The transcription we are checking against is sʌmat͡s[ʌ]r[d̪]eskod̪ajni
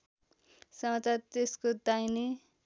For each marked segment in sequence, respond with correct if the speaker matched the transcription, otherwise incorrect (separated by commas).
incorrect, incorrect